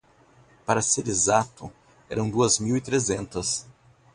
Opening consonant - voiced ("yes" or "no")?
no